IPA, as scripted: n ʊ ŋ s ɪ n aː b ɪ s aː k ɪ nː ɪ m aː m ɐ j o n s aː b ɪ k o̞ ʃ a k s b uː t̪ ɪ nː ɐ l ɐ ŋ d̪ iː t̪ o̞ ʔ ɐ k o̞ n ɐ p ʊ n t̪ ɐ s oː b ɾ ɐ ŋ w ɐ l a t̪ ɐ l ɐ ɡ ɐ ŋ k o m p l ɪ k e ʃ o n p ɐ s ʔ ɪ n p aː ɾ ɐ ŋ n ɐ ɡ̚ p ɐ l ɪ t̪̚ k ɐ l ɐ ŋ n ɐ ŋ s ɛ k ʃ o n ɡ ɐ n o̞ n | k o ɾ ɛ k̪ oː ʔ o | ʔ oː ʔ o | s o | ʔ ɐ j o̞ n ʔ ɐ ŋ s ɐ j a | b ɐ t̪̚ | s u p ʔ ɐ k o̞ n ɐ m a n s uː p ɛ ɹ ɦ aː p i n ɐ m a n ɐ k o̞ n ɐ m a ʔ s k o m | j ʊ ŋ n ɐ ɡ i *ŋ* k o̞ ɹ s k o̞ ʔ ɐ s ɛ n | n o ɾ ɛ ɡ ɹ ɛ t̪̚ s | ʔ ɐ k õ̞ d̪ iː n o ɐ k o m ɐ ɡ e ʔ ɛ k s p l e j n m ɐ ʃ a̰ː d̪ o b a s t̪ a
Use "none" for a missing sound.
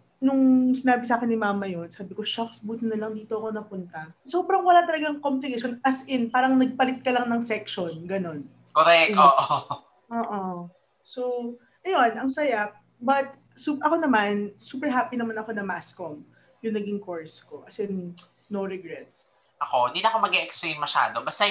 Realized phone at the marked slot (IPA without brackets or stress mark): ŋ